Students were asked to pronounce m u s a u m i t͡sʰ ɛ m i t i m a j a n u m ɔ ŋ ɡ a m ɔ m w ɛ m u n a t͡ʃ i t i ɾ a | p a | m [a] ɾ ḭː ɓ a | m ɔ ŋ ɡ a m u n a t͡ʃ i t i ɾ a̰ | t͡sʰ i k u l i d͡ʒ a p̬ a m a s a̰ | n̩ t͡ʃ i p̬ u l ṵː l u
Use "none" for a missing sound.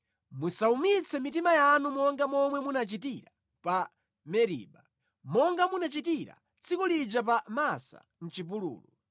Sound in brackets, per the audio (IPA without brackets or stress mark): ɛ